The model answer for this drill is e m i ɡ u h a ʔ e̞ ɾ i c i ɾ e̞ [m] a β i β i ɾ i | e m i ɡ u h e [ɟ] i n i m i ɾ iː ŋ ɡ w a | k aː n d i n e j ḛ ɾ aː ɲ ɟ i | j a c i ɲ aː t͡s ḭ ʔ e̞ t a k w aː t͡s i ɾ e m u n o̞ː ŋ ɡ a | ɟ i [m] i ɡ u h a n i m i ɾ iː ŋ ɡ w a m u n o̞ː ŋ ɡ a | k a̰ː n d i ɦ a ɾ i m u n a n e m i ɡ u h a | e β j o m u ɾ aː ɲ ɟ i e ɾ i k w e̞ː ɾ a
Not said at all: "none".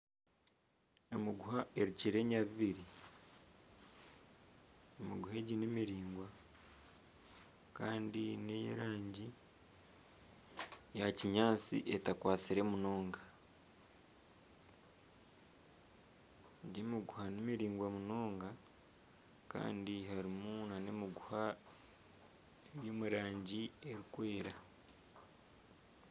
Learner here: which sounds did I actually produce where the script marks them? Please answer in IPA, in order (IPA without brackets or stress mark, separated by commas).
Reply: ɲ, ɟ, m